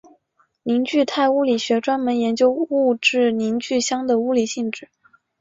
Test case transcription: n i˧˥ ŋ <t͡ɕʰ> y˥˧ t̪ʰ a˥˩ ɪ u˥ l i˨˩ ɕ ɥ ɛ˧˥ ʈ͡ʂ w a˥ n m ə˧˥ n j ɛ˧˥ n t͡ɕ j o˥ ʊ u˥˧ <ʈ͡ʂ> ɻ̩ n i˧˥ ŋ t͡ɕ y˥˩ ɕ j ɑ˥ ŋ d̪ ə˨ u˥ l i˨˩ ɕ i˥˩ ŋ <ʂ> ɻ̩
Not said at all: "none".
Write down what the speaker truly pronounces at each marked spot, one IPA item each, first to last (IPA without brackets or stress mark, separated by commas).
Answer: t͡ɕ, ʈ͡ʂ, ʈ͡ʂ